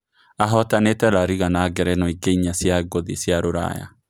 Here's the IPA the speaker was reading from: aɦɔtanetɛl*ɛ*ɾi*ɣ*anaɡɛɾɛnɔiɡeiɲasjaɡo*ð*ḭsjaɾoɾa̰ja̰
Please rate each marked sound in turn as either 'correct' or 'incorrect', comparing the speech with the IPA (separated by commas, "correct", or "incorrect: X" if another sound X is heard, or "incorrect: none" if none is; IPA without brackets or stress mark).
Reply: incorrect: a, correct, correct